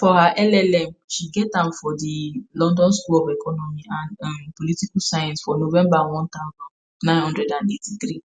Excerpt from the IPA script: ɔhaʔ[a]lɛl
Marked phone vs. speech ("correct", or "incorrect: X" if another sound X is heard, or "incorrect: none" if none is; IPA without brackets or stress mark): incorrect: ɛ